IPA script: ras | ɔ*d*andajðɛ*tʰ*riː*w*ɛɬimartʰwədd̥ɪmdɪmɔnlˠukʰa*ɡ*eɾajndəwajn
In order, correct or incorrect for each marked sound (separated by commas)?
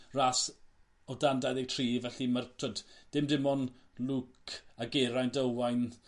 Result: correct, correct, incorrect, correct